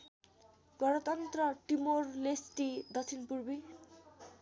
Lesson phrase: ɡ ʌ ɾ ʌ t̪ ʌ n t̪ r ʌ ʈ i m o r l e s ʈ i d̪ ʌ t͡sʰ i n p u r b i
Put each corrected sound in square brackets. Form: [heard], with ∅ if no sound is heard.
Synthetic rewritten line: ɡ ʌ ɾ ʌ t̪ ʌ n t̪ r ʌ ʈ i m o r l e s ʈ i d̪ ʌ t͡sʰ i n p u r b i